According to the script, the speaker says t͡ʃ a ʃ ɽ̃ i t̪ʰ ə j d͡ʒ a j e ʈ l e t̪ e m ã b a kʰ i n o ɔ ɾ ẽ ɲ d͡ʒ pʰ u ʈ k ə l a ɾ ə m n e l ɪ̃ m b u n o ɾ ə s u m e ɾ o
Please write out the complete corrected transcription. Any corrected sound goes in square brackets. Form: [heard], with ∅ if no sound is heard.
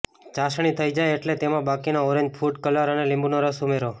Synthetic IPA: t͡ʃ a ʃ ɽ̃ i t̪ʰ ə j d͡ʒ a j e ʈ l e t̪ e m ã b a [k] i n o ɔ ɾ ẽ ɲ d͡ʒ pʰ u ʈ k ə l a ɾ ə [∅] n e l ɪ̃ m b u n o ɾ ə s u m e ɾ o